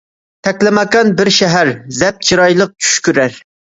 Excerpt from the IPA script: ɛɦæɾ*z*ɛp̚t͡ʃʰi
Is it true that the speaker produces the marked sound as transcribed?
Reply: yes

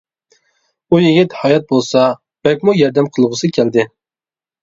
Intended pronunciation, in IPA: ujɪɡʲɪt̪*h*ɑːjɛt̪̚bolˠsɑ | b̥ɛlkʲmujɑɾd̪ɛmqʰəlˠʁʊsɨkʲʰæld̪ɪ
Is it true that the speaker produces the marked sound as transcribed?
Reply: yes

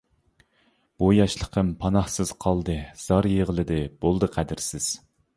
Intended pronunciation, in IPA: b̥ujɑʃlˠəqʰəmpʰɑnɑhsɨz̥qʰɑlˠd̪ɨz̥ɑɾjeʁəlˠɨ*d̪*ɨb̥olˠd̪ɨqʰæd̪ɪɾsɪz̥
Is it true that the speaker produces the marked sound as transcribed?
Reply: yes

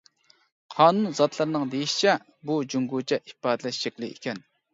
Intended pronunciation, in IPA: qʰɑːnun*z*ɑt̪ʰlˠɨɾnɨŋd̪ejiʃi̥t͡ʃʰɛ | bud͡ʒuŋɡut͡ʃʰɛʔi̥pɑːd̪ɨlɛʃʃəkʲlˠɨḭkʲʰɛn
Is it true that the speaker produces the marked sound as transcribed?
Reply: yes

